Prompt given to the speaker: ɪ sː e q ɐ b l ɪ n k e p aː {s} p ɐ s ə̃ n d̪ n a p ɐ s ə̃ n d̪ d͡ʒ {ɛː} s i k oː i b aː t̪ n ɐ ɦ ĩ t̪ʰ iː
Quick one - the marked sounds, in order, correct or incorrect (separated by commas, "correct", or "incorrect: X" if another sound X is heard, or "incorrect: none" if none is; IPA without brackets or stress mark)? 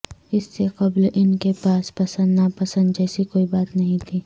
correct, correct